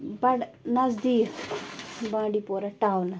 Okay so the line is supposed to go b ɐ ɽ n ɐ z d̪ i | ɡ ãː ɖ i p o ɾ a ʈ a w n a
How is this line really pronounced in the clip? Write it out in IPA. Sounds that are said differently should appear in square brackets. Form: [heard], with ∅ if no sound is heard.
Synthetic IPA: b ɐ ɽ n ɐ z d̪ i | [b] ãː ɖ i p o ɾ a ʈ a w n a